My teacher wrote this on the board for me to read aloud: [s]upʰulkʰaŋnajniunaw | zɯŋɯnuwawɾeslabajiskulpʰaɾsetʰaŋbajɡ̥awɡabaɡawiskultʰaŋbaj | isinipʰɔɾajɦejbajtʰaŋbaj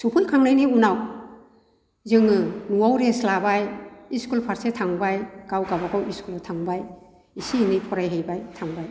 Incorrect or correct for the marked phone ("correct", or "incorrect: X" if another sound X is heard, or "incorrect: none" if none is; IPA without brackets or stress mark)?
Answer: correct